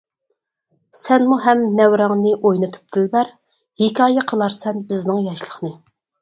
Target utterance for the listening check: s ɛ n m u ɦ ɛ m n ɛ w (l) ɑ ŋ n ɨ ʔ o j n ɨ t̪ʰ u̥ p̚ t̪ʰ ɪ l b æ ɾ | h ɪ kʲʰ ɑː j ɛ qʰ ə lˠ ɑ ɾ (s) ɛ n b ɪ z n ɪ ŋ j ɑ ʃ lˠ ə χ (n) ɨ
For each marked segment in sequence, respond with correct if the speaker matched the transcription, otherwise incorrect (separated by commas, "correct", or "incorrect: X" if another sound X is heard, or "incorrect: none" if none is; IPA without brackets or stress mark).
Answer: incorrect: ɾ, correct, correct